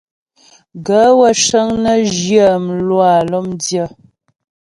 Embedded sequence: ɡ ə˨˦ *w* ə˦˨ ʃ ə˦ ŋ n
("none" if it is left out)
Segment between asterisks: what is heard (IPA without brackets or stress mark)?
w